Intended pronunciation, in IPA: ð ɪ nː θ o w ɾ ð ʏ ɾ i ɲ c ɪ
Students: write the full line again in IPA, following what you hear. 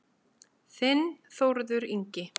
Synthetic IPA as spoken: θ ɪ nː θ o w ɾ ð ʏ ɾ i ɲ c ɪ